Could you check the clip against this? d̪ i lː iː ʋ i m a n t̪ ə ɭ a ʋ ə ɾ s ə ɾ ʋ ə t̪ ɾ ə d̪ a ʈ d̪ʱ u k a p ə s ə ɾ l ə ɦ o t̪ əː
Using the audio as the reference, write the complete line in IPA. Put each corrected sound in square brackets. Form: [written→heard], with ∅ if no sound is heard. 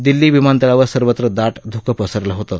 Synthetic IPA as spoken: d̪ i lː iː ʋ i m a n t̪ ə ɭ a ʋ ə ɾ s ə ɾ ʋ ə t̪ ɾ ə d̪ a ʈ d̪ʱ u k [a→ə] p ə s ə ɾ l ə ɦ o t̪ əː